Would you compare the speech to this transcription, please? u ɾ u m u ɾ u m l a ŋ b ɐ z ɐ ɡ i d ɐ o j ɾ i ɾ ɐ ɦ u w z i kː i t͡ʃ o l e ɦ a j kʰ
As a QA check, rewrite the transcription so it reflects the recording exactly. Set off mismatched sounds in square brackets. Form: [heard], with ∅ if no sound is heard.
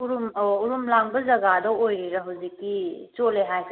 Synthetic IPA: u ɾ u m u ɾ u m l a ŋ b ɐ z ɐ ɡ [a] d ɐ o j ɾ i ɾ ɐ ɦ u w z i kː i t͡ʃ o l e ɦ a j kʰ